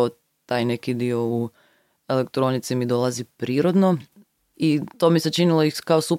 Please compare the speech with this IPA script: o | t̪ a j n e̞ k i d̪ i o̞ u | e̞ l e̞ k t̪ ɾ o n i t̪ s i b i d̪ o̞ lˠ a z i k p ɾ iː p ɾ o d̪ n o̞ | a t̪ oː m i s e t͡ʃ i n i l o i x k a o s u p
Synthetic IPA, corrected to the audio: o | t̪ a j n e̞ k i d̪ i o̞ u | e̞ l e̞ k t̪ ɾ o n i t̪ s i m i d̪ o̞ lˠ a z i p ɾ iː ɾ o d̪ n o̞ | i t̪ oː m i s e t͡ʃ i n i l o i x k a o s u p